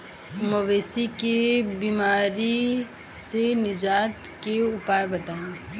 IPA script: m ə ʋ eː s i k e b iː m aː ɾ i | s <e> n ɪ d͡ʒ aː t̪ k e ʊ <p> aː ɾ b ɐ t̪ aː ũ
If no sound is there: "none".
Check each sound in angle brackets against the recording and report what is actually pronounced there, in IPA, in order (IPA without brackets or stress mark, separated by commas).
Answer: e, p